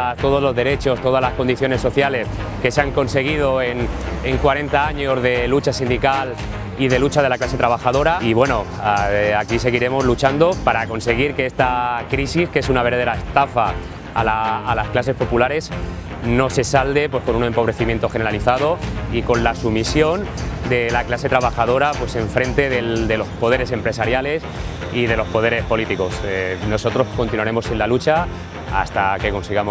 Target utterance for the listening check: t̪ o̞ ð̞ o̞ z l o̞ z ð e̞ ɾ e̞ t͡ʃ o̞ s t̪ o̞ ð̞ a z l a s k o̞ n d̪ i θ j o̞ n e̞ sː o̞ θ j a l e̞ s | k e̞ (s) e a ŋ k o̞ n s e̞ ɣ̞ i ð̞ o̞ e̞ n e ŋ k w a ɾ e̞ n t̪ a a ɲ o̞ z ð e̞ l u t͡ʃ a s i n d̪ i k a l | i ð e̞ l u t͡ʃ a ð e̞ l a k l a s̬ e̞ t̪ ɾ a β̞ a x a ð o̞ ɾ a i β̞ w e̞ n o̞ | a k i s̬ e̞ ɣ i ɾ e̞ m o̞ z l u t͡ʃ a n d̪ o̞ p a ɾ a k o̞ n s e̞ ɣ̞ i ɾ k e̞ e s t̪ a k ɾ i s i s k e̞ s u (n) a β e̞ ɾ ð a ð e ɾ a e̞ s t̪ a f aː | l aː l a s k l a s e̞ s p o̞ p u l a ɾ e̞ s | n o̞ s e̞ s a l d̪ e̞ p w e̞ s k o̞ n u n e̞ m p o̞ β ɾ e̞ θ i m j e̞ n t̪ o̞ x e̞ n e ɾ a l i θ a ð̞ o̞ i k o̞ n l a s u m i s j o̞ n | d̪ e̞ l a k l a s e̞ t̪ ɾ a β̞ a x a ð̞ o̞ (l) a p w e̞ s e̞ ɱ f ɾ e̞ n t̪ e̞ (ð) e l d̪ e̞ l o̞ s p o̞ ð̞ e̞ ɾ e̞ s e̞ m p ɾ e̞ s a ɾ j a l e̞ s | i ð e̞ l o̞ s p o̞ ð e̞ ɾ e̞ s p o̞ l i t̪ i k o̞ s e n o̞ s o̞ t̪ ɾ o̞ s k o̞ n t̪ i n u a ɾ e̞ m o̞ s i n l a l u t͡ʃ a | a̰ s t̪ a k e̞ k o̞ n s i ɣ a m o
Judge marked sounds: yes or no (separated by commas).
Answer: yes, yes, no, yes